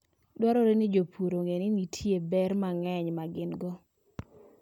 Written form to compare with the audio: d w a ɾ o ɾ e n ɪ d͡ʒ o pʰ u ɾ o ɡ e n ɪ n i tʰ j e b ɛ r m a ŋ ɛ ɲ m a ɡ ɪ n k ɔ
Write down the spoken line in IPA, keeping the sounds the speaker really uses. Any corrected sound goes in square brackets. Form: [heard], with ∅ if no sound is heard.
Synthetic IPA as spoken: d w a ɾ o ɾ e n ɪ d͡ʒ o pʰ u ɾ o [ŋ] e n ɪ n i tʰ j e b ɛ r m a ŋ ɛ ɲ m a ɡ ɪ n [ɡ] ɔ